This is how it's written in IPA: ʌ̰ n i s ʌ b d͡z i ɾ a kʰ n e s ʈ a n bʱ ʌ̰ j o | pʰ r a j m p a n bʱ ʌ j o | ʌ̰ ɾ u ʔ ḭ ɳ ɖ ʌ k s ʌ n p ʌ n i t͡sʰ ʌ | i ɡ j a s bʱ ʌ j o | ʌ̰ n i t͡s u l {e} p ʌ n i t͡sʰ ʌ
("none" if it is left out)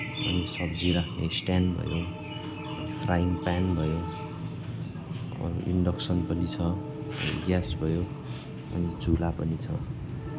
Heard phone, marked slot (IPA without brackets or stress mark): a